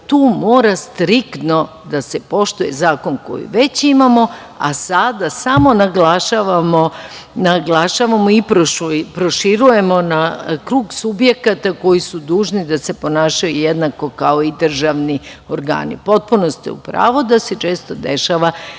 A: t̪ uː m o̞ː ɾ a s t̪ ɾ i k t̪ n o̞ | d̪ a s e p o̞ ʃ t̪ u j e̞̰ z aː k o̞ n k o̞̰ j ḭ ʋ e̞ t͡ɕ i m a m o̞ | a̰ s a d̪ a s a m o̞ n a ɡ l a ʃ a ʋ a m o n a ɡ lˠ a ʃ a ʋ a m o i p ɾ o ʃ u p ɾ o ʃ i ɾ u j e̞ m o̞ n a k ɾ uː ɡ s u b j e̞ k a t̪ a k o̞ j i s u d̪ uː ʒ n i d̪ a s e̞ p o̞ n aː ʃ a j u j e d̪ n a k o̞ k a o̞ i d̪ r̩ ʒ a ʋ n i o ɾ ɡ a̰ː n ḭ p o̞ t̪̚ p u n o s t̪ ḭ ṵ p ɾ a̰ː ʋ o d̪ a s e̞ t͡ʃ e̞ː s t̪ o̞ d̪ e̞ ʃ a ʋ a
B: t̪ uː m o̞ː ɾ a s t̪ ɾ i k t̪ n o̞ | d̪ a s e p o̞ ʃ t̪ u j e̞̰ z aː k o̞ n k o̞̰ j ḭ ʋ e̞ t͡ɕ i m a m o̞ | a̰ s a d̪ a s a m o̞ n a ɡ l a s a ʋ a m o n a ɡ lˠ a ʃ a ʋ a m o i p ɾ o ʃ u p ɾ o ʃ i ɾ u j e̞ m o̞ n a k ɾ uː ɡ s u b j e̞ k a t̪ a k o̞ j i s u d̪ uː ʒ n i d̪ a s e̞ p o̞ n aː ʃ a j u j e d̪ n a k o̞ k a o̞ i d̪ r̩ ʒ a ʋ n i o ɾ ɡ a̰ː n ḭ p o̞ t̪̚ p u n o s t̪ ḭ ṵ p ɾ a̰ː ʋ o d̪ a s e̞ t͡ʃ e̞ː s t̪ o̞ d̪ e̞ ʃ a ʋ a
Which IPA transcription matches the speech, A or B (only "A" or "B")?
A